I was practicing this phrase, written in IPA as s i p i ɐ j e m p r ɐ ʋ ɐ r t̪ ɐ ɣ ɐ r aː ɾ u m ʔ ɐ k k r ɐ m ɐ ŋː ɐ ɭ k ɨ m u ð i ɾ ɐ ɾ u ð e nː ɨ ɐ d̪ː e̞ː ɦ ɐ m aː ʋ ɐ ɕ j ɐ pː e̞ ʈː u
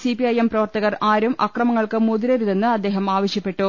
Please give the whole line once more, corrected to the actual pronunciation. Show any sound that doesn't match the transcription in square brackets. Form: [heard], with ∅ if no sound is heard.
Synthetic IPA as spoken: s i p i ɐ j e m p r ɐ ʋ ɐ r t̪ ɐ ɣ ɐ r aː ɾ u m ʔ ɐ k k r ɐ m ɐ ŋː ɐ ɭ k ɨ m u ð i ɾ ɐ ɾ u ð e nː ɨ ɐ d̪ː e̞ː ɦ ɐ m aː ʋ ɐ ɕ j ɐ pː e̞ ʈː u

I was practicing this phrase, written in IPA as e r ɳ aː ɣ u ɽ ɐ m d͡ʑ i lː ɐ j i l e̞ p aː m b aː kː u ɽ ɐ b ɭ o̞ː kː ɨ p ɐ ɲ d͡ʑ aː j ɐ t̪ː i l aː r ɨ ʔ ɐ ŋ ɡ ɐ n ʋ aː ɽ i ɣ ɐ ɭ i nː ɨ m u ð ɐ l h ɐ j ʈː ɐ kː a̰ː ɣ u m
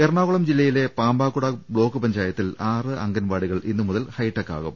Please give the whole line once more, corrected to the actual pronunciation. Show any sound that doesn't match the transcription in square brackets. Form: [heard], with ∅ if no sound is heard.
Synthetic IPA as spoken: e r ɳ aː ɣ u [ɭ] ɐ m d͡ʑ i lː ɐ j i l e̞ p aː m b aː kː u ɽ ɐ b ɭ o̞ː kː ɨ p ɐ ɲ d͡ʑ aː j ɐ t̪ː i l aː r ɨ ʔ ɐ ŋ ɡ ɐ n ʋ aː ɽ i ɣ ɐ ɭ i nː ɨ m u ð ɐ l h ɐ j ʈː ɐ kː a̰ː ɣ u m

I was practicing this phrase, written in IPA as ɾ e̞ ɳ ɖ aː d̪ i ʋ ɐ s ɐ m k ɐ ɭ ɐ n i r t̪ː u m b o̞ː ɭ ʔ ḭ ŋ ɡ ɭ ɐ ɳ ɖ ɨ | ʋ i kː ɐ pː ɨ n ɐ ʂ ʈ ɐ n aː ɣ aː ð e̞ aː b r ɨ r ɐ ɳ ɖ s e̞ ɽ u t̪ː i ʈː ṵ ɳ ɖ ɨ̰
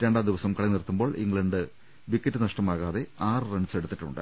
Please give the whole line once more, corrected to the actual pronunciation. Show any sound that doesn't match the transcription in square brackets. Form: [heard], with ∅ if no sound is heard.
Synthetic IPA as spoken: ɾ e̞ ɳ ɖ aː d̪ i ʋ ɐ s ɐ m k ɐ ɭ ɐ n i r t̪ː u m b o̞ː ɭ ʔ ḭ ŋ ɡ ɭ ɐ ɳ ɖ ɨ | ʋ i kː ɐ [tː] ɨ n ɐ ʂ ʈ ɐ [m] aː ɣ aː ð e̞ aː [∅] r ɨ r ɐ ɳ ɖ s e̞ ɽ u t̪ː i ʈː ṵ ɳ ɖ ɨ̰

